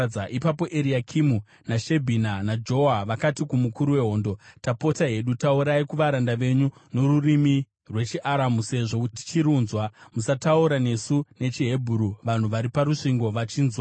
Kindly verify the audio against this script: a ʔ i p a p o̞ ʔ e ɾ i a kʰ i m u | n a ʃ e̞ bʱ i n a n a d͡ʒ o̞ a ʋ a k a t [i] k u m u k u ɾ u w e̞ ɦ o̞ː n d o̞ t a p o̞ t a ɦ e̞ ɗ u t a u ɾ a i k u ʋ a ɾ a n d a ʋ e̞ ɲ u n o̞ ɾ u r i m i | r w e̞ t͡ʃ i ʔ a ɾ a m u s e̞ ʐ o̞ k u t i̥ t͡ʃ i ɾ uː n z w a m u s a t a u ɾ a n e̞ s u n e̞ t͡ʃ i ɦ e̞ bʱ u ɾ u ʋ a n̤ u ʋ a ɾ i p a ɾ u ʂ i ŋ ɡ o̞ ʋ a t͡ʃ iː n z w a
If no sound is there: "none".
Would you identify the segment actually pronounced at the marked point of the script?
i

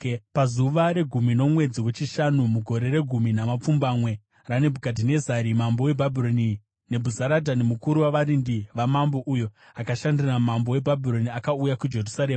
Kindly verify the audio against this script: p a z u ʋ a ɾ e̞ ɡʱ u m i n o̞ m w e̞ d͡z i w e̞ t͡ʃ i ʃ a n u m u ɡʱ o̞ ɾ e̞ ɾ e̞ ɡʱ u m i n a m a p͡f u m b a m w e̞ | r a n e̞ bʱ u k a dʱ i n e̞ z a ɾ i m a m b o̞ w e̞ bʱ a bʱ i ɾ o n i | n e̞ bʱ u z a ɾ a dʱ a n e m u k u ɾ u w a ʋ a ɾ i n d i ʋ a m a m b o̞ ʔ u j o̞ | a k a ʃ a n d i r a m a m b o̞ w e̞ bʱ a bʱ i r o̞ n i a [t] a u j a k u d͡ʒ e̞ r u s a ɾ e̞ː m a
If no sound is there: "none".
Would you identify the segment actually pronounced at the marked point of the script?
k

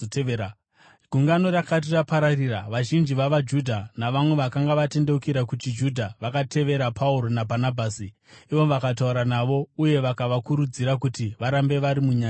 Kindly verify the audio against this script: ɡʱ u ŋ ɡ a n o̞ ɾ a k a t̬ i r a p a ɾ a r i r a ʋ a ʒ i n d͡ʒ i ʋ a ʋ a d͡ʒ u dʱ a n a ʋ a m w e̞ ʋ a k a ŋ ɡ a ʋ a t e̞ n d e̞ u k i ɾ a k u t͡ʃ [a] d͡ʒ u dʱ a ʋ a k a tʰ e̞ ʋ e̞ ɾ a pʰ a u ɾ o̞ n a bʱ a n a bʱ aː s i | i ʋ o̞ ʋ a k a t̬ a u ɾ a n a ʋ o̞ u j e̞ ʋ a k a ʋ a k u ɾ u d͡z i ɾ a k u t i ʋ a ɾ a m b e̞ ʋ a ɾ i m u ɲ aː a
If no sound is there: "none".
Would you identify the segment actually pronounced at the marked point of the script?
i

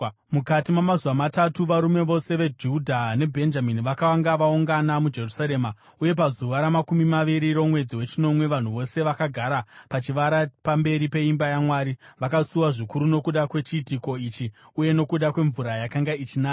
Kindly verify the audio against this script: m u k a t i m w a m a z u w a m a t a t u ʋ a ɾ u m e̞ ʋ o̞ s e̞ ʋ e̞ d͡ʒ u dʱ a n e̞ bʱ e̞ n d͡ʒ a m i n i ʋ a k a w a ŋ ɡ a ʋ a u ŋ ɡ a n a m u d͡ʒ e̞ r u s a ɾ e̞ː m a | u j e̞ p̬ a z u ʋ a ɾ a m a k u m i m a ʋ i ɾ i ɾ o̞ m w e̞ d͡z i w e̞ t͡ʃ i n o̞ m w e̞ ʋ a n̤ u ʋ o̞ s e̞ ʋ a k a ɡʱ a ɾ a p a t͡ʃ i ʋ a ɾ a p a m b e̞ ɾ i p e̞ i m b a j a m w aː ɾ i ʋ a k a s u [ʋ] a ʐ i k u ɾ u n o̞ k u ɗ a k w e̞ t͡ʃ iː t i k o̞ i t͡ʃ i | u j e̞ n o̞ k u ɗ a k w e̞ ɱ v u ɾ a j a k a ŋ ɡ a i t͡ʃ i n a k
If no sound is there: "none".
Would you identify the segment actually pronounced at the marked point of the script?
w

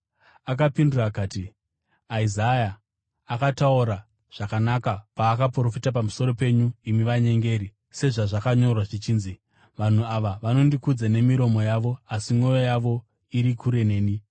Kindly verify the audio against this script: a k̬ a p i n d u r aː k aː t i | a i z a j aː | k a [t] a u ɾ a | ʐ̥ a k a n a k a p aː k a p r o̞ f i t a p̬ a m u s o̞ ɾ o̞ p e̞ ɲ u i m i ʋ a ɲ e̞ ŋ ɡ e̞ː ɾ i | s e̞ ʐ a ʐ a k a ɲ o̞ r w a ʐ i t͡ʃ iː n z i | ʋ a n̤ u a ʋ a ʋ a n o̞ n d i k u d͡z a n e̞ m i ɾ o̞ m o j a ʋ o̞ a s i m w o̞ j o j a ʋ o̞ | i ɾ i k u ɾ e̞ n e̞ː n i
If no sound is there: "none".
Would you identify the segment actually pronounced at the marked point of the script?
t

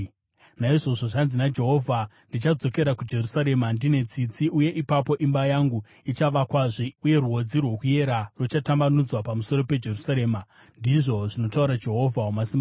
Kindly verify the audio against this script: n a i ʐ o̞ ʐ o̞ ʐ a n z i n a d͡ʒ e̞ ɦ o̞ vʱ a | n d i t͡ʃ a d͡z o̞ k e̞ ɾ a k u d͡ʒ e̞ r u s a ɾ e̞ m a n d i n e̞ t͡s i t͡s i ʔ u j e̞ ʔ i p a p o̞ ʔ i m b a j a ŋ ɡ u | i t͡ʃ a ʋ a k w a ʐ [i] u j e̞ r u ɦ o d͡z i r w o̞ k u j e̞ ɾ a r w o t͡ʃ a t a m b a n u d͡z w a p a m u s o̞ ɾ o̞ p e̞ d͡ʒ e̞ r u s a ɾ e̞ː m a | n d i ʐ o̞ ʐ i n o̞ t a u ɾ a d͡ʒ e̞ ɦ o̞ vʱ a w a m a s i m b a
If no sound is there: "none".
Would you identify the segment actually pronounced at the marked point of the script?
i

